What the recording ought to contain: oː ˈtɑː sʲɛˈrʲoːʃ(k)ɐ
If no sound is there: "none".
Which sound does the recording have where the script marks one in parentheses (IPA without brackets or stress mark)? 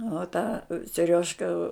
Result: k